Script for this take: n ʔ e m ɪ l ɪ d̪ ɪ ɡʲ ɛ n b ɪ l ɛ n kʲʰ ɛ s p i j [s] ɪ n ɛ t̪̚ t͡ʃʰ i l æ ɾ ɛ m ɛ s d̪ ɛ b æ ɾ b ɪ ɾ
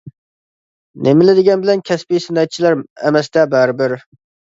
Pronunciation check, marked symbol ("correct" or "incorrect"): correct